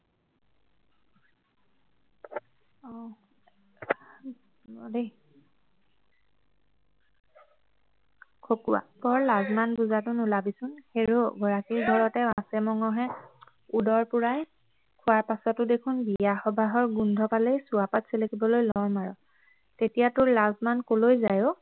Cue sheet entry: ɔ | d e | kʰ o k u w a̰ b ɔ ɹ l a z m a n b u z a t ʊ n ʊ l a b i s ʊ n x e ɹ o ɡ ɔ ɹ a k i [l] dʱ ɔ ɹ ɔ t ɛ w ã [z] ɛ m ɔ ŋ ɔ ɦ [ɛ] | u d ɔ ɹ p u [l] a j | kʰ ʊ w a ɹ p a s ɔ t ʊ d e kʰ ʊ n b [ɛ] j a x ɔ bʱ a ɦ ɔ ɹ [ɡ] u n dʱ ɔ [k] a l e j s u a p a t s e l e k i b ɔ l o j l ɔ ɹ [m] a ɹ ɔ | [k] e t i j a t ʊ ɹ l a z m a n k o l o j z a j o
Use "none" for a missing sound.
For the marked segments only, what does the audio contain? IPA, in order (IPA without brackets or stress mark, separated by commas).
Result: ɹ, s, ɛ, ɹ, i, ɡ, p, m, t